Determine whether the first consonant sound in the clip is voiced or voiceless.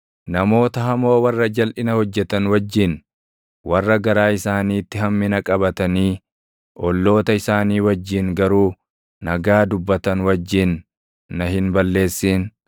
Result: voiced